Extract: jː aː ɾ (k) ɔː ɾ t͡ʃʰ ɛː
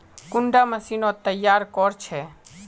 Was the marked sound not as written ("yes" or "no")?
no